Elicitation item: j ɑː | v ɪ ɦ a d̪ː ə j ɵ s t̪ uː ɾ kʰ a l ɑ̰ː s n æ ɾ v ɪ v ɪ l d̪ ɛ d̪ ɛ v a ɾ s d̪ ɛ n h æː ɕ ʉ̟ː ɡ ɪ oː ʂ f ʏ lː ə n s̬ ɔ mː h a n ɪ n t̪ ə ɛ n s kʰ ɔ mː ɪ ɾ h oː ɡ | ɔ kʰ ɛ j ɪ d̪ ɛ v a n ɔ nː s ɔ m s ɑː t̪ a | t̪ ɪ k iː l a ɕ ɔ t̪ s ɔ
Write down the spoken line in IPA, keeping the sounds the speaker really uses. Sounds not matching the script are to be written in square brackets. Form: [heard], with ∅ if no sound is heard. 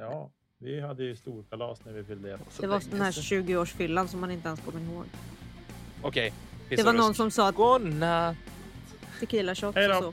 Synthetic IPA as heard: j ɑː | v ɪ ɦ a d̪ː ə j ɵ s t̪ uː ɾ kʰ a l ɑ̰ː s n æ ɾ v ɪ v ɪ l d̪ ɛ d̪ ɛ v a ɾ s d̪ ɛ n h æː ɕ ʉ̟ː ɡ ɪ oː ʂ f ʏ lː [a] n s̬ ɔ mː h a n ɪ n t̪ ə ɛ n s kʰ ɔ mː ɪ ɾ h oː ɡ | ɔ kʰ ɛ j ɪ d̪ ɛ v a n ɔ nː s ɔ m s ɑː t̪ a | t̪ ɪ k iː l a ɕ ɔ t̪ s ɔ